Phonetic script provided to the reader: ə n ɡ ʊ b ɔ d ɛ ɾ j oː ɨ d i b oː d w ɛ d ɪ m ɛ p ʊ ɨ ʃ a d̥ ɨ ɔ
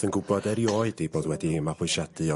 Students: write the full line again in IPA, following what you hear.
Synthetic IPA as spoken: ə n ɡ ʊ b ɔ d ɛ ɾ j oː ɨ d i b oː d w ɛ d i m a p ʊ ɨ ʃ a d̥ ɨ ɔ